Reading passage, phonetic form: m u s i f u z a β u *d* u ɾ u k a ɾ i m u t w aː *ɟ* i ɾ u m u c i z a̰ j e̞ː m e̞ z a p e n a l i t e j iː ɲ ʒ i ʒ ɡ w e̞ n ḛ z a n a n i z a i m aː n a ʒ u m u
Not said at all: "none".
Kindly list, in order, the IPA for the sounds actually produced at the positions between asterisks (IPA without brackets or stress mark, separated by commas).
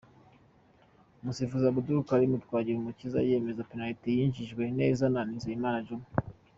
d, ɟ